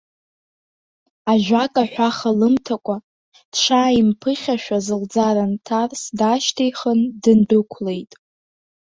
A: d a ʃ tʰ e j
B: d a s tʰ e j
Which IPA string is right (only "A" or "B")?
A